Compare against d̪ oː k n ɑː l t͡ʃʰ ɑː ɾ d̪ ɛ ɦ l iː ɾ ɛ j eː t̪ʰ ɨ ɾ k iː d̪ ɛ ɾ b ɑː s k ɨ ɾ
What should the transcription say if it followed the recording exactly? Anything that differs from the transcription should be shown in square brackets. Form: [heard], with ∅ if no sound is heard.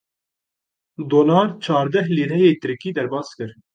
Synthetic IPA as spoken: d̪ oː [∅] n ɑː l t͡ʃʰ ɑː ɾ d̪ ɛ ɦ l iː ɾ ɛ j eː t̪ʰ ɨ ɾ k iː d̪ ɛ ɾ b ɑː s k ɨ ɾ